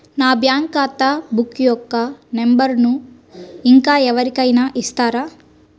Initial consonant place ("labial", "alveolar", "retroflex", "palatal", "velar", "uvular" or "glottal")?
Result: alveolar